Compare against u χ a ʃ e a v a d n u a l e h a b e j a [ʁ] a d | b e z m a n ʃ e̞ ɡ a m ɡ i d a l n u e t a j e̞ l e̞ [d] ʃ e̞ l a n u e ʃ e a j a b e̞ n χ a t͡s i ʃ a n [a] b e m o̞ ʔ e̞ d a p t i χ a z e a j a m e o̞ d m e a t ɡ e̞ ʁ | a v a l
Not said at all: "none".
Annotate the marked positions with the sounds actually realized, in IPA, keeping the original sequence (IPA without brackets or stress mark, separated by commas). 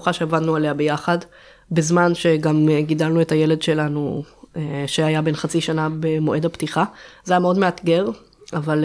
χ, d, a